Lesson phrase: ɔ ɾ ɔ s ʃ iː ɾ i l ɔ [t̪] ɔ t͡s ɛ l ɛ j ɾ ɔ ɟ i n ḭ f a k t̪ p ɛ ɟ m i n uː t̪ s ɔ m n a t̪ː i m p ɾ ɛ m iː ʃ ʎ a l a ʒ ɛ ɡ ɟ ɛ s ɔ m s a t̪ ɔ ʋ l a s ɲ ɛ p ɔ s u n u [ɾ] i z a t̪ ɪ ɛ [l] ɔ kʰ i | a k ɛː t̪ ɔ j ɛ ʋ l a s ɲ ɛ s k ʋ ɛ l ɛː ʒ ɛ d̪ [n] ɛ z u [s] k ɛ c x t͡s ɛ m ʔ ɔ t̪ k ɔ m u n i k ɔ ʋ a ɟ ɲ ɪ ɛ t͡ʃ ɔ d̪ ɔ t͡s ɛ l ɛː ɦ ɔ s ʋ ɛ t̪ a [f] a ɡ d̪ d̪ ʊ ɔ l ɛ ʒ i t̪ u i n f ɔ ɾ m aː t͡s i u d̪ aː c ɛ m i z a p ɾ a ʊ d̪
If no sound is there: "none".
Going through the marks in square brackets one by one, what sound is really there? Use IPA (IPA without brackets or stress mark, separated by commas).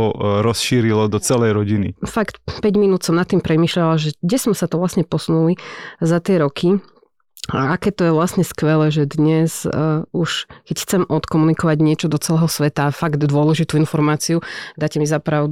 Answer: d̪, l, ɾ, ɲ, ʃ, f